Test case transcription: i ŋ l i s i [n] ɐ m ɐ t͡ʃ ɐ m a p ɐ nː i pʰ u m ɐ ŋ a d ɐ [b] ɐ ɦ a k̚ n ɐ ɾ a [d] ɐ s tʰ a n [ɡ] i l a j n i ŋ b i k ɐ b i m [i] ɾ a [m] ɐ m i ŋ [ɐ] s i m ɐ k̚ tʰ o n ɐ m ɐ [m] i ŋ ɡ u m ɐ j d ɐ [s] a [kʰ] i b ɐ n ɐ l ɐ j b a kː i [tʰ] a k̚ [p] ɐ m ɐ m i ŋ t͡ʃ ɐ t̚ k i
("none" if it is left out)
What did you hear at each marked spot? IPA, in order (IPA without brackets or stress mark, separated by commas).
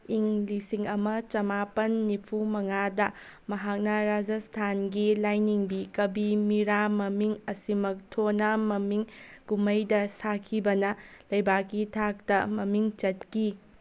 ŋ, m, d͡ʒ, ɡ, i, m, ɐ, m, s, kʰ, tʰ, t